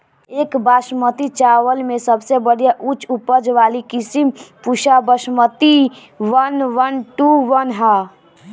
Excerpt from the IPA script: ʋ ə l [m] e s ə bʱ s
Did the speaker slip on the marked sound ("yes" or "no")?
no